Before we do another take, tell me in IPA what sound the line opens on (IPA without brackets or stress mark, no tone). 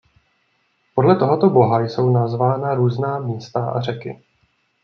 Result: p